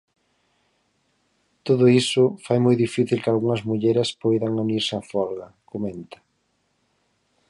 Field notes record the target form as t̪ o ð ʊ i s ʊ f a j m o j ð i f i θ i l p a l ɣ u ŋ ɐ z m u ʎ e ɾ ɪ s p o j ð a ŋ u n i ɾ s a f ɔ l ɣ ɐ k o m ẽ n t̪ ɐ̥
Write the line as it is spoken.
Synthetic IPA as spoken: t̪ o ð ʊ i s ʊ f a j m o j ð i f i θ i l k a l ɣ u ŋ ɐ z m u ʎ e ɾ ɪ s p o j ð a ŋ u n i ɾ s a f ɔ l ɣ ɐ k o m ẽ n t̪ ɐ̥